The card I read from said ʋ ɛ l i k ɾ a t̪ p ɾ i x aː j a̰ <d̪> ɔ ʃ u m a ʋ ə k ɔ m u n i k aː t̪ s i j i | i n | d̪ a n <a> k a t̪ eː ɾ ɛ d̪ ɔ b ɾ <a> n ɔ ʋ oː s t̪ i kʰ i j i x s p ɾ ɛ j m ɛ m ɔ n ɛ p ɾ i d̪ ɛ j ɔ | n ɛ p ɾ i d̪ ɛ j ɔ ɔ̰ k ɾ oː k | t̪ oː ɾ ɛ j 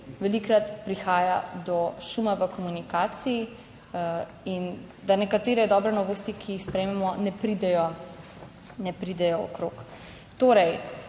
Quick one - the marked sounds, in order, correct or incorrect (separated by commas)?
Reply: correct, incorrect, incorrect